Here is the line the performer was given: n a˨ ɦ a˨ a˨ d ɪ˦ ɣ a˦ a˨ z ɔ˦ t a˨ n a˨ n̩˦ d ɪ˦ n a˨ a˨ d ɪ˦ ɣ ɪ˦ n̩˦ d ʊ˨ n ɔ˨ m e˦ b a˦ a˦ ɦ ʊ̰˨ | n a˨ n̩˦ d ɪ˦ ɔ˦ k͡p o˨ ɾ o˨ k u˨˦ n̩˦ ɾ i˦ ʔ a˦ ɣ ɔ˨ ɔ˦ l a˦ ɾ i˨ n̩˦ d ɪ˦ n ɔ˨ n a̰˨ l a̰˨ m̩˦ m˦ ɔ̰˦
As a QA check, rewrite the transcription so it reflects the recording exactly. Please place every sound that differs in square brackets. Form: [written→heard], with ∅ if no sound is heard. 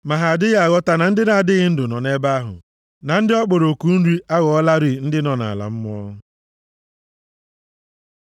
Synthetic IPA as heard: [n→m] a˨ ɦ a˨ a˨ d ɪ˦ ɣ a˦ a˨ [z→ɣ] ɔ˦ t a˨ n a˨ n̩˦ d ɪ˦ n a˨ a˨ d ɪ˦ ɣ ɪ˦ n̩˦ d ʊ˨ n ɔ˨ [m→n] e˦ b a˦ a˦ ɦ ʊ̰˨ | n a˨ n̩˦ d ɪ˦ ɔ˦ k͡p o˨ ɾ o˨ k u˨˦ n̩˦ ɾ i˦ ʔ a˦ ɣ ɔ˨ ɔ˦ l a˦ ɾ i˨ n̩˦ d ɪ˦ n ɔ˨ n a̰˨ l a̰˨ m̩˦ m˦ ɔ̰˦